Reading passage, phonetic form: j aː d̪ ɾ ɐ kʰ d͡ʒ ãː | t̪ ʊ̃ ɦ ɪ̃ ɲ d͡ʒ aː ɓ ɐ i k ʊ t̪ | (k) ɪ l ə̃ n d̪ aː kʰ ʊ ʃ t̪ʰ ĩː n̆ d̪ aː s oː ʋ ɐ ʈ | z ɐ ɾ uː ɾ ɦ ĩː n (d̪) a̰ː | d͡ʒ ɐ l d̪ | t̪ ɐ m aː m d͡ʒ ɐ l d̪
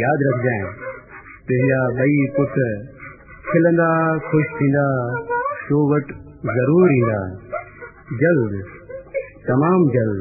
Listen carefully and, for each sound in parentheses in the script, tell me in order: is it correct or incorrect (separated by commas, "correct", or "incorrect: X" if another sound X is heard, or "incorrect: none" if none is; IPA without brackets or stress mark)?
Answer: incorrect: kʰ, correct